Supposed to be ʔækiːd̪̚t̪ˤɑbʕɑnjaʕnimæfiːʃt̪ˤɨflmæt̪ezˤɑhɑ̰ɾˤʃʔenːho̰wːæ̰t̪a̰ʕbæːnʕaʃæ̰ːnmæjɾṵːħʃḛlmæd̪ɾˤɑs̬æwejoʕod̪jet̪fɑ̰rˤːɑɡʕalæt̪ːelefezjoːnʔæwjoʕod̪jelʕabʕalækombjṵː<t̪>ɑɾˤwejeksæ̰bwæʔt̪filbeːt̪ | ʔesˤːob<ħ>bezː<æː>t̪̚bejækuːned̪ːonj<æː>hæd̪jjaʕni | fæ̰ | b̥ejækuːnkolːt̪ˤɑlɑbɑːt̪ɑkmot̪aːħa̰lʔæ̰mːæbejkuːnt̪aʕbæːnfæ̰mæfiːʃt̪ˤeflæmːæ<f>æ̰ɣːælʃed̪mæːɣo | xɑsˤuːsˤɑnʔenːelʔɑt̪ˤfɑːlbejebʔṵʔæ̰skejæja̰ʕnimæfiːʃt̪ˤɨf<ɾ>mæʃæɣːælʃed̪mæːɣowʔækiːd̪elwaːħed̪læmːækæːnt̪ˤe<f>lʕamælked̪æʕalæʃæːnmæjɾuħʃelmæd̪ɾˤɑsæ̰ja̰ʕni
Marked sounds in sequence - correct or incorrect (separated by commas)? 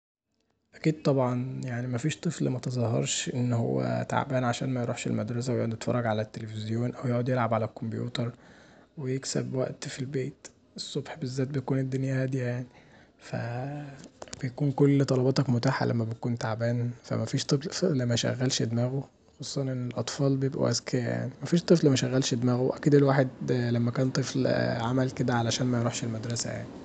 correct, correct, correct, incorrect, incorrect, incorrect, correct